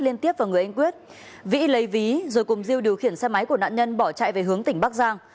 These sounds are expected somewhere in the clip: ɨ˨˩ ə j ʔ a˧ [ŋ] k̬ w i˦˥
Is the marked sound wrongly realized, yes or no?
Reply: no